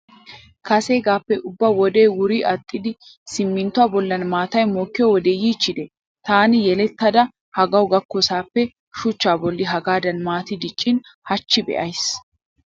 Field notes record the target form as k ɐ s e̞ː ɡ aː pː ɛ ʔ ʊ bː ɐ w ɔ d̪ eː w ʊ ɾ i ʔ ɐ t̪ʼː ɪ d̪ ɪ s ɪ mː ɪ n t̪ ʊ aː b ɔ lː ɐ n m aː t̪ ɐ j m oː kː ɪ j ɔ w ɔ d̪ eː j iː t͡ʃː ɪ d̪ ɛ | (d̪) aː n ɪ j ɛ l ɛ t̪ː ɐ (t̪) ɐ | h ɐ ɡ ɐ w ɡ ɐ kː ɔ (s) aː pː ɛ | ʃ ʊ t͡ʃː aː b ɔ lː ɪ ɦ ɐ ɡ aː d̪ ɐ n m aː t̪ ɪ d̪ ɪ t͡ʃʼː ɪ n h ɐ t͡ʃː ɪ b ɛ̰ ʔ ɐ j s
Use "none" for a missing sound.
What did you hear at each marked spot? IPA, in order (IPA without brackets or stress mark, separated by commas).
t̪, d̪, s